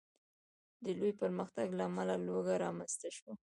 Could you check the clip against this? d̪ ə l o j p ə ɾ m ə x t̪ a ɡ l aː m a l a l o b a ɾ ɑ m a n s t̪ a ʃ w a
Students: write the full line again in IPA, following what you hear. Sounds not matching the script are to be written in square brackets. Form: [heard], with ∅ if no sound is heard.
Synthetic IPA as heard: d̪ ə l o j p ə ɾ m ə x t̪ a ɡ l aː m a l a l o [ɡ] a ɾ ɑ m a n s t̪ a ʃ w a

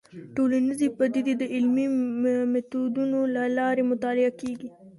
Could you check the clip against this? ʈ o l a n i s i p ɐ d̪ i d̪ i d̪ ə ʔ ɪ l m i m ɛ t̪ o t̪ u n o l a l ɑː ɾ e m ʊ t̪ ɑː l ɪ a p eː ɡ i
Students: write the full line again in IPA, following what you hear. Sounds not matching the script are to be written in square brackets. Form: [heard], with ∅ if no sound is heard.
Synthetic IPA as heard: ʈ o l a n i [z] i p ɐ d̪ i d̪ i d̪ ə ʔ ɪ l m i m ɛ t̪ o [d̪] u n o l a l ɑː ɾ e m ʊ t̪ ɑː l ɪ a [k] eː ɡ i

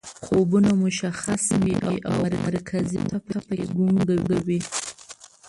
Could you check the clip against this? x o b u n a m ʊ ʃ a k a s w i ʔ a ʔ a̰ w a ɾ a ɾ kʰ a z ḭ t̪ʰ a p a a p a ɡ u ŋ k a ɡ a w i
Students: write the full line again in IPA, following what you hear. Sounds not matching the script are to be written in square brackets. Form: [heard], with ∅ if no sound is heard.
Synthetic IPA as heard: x o b u n a m ʊ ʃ a [x] a s w i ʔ a ʔ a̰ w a ɾ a ɾ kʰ a z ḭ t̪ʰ a p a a p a ɡ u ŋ [ɡ] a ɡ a w i

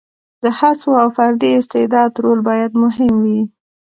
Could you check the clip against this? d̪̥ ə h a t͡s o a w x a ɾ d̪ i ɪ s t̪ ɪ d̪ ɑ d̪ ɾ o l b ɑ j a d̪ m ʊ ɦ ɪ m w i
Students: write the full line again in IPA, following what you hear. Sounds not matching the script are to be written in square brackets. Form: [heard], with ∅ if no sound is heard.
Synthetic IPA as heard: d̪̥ ə h a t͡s o a w [f] a ɾ d̪ i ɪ s t̪ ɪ d̪ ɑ d̪ ɾ o l b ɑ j a d̪ m ʊ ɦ ɪ m w i

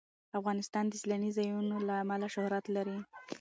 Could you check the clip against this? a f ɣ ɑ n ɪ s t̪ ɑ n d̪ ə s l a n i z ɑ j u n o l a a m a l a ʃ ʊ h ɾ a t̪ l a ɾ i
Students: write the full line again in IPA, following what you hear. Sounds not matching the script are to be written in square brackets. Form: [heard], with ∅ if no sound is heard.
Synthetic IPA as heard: a f ɣ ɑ n ɪ s t̪ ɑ n d̪ ə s l a n i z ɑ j u n o l a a m a l a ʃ ʊ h ɾ a t̪ l a ɾ i

